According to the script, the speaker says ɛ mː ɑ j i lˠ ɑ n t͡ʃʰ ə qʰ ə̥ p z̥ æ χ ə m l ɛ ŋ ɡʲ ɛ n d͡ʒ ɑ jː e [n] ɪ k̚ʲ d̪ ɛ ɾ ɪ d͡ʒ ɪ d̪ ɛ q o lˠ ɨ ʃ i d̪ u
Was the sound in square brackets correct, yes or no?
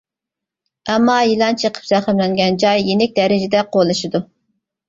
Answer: yes